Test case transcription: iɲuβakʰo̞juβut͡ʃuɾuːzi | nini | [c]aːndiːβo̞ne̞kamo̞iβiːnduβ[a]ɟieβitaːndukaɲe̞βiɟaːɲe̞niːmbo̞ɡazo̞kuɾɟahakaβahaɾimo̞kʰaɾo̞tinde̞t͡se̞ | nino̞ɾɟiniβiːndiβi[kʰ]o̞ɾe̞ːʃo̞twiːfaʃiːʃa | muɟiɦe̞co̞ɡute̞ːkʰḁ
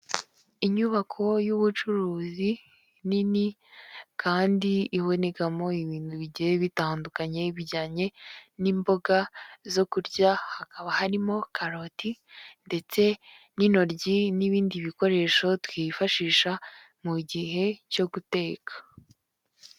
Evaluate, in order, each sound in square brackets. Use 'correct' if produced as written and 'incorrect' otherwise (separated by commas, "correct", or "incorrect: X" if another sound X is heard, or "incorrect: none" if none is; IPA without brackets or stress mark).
incorrect: k, incorrect: i, incorrect: k